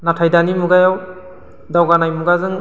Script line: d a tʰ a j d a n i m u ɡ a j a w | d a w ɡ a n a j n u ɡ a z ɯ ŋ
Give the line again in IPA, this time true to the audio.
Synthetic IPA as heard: n a tʰ a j d a n i m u ɡ a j a w | d a w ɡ a n a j m u ɡ a z ɯ ŋ